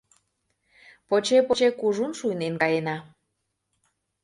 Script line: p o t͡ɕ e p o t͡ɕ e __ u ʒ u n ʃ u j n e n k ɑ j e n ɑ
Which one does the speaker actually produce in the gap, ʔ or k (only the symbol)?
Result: k